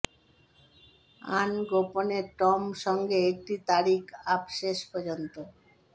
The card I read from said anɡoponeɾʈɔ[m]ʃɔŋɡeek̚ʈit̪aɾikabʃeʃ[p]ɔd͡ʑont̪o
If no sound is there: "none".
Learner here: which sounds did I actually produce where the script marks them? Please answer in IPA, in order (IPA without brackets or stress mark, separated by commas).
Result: m, p